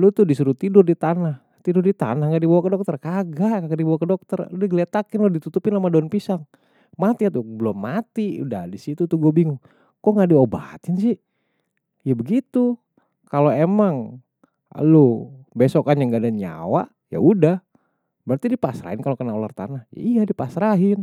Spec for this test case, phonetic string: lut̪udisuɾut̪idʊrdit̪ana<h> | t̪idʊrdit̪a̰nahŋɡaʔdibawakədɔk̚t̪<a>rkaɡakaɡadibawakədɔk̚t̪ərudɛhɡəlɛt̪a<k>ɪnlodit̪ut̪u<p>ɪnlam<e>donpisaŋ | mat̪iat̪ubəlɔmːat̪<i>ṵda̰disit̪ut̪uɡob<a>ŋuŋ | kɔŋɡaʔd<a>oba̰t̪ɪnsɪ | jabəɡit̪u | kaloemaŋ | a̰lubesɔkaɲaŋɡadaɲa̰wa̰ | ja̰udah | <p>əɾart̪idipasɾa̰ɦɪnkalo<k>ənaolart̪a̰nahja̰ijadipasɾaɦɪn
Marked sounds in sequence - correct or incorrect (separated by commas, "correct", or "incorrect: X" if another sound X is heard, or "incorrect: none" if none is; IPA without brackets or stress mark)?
correct, incorrect: ə, correct, correct, incorrect: a, correct, incorrect: i, incorrect: i, incorrect: b, correct